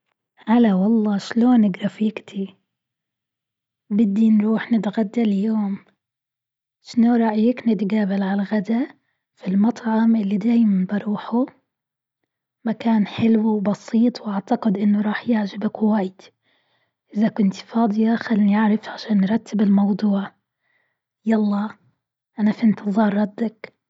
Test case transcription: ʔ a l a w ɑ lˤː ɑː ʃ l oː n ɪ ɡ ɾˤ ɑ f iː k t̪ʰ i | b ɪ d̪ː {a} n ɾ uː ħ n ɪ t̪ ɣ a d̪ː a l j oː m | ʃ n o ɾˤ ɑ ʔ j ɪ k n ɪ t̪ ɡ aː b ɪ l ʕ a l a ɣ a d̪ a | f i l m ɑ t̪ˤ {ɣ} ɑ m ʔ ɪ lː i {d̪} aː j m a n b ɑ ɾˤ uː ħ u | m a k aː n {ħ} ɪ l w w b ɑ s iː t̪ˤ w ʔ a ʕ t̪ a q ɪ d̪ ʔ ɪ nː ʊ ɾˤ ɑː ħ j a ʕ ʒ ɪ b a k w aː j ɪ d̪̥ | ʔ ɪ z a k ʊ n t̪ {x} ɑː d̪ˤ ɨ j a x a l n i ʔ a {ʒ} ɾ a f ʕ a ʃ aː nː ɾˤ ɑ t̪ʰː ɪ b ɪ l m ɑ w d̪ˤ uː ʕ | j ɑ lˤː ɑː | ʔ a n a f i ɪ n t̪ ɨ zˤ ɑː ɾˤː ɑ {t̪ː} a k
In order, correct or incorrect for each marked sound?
incorrect: i, incorrect: ʕ, correct, correct, incorrect: f, incorrect: ʕ, incorrect: d̪ː

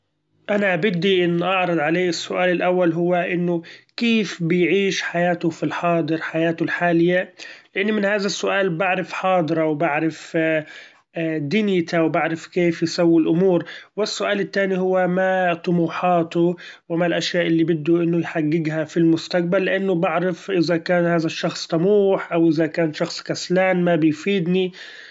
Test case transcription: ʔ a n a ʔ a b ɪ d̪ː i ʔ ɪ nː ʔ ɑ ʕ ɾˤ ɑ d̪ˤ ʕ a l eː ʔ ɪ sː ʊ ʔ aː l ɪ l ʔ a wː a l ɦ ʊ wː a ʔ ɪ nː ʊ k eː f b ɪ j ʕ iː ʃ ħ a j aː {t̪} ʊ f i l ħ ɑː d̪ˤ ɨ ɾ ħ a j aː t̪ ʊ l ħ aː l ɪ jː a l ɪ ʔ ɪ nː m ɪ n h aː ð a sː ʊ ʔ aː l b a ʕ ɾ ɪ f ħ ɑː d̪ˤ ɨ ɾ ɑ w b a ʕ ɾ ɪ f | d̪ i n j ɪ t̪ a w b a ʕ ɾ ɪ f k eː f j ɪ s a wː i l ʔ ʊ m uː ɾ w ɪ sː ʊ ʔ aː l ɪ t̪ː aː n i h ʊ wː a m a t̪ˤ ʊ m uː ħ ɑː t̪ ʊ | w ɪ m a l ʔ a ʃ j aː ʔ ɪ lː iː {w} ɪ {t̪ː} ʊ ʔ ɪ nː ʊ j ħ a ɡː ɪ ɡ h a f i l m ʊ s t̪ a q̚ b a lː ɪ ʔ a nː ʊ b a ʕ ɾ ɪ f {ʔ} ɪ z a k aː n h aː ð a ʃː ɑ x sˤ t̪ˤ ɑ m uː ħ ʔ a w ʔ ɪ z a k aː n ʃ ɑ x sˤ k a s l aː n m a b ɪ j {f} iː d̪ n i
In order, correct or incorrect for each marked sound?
correct, incorrect: b, incorrect: d̪ː, correct, correct

